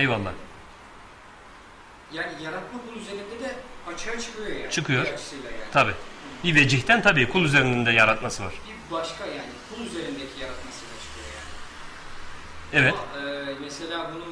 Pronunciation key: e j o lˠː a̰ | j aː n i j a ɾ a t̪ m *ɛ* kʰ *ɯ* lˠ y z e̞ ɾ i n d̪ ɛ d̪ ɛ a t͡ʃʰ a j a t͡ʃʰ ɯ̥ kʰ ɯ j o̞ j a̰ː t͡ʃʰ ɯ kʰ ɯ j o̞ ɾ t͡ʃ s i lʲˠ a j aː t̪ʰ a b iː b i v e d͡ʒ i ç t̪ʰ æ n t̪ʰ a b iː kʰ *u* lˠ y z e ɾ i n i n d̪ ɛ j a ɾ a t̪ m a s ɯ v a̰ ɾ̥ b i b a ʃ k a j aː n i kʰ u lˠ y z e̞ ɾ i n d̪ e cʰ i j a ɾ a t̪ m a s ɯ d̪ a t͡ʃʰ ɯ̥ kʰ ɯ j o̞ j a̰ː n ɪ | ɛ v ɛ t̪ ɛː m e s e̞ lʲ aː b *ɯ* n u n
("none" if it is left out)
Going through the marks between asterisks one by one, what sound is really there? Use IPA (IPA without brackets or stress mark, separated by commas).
a, u, u, u